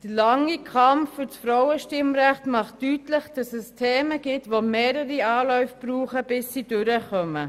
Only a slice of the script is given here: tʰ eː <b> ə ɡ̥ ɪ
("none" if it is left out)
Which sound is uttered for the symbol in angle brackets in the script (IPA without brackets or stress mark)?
m